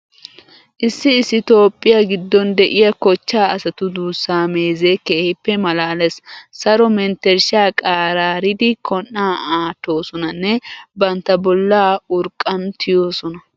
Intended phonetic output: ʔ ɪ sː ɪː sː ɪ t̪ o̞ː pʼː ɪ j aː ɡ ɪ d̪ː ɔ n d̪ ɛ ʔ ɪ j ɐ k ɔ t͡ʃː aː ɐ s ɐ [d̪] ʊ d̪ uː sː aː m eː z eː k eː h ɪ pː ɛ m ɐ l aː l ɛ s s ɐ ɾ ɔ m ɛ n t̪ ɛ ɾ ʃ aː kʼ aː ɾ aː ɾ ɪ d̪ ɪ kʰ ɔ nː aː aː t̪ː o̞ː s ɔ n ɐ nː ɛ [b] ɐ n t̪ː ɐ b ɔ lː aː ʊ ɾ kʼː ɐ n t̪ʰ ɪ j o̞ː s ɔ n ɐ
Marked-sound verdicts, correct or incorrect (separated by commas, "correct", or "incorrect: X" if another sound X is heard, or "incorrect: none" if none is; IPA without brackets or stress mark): incorrect: t̪, correct